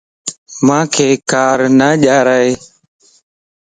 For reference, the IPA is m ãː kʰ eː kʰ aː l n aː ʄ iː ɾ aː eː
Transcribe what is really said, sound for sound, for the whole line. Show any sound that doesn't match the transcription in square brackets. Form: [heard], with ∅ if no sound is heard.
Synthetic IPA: m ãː kʰ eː [k] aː [ɾ] n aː ʄ [aː] ɾ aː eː